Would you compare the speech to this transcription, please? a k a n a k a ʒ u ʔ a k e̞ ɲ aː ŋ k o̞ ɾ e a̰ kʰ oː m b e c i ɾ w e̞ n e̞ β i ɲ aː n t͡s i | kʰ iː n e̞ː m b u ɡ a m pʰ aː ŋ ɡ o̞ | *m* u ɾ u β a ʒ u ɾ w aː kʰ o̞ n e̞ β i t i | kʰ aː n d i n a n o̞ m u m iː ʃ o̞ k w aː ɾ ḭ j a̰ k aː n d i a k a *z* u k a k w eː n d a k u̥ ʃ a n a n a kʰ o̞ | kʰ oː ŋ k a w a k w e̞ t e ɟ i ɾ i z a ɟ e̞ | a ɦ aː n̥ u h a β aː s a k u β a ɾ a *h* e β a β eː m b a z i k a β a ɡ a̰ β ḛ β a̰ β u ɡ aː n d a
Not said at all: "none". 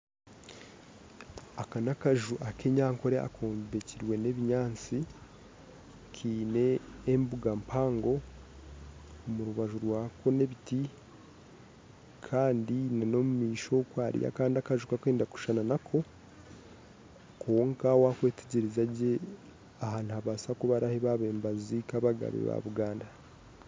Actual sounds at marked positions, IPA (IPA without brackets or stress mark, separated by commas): m, ʒ, h